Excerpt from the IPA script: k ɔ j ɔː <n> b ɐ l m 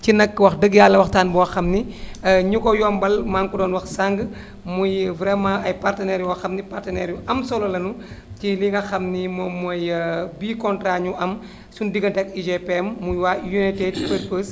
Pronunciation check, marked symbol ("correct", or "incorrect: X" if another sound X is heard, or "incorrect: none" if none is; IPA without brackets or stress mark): incorrect: m